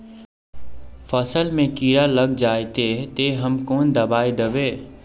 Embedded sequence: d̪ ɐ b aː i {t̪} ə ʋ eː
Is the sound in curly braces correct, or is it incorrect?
incorrect